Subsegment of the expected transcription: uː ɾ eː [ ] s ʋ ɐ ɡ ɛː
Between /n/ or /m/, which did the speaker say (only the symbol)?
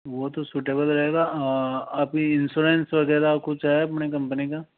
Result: n